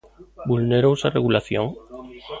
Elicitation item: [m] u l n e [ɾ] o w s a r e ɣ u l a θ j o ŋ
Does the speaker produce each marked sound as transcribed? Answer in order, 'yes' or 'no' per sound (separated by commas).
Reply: no, yes